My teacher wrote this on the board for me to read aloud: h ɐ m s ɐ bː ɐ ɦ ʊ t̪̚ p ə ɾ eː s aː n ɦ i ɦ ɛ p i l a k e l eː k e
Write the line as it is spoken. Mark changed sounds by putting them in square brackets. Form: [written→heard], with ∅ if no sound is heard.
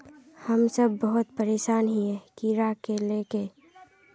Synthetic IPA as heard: h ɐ m s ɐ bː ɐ ɦ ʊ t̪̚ p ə ɾ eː [s→ʃ] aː n ɦ i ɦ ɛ [p→k] i [l→ɾ] a k e l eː k e